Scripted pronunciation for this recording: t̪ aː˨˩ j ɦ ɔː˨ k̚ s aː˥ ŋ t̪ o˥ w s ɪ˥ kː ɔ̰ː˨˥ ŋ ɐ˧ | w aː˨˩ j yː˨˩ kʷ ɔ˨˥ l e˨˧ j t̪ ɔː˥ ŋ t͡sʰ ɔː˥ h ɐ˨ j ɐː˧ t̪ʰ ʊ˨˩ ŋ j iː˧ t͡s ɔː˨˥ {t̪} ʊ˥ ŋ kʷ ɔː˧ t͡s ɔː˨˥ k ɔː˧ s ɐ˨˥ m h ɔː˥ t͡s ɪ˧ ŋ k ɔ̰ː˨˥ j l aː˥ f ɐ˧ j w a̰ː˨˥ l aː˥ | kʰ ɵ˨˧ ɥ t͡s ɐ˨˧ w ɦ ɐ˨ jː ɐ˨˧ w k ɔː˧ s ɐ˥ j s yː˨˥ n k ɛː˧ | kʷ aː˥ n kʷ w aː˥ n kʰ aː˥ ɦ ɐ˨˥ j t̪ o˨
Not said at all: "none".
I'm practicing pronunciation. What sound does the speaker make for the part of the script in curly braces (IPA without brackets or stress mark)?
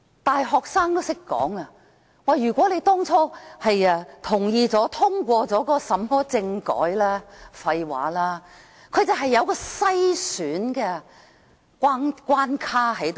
t̪ʰ